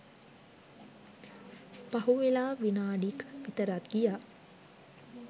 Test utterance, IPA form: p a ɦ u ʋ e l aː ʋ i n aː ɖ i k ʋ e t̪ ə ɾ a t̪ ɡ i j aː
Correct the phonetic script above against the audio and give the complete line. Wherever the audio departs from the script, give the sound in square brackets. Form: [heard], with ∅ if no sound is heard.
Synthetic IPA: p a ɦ u ʋ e l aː ʋ i n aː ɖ i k ʋ [i] t̪ ə ɾ a t̪ ɡ i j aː